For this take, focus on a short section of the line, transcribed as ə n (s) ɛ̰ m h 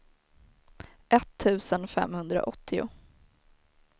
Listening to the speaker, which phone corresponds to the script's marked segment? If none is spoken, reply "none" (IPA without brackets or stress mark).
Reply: f